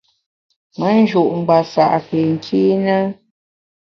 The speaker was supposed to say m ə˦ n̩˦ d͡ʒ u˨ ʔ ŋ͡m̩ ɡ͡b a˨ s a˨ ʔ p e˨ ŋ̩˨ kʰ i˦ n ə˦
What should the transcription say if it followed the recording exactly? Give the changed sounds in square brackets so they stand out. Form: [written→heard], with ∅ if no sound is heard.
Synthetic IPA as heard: m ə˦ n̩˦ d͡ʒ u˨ ʔ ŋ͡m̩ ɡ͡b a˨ s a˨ ʔ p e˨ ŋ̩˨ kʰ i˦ n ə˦